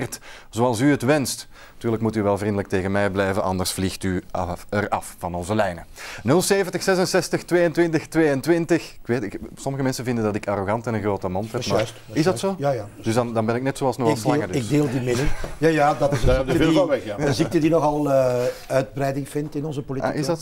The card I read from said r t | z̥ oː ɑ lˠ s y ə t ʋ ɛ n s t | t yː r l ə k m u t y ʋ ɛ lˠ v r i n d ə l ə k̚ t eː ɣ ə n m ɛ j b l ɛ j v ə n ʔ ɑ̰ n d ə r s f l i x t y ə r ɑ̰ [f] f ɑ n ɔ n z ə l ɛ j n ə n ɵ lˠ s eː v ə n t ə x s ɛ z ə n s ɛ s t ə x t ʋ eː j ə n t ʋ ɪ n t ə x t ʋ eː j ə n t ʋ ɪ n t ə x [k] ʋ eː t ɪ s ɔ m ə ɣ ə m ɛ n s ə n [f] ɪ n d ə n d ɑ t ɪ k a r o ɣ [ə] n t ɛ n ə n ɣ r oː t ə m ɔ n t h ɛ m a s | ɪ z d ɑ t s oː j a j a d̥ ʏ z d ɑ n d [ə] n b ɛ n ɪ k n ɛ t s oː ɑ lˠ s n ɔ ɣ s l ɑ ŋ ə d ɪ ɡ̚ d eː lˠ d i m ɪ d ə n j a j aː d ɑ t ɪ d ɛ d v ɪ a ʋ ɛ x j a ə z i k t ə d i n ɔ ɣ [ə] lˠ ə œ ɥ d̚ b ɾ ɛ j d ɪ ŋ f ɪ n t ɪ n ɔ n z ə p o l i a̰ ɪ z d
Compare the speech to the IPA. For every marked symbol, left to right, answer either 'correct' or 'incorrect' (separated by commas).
correct, correct, incorrect, incorrect, incorrect, incorrect